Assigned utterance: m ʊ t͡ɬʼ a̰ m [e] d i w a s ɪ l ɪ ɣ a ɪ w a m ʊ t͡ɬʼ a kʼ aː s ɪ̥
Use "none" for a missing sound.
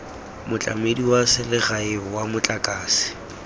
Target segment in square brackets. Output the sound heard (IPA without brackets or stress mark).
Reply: e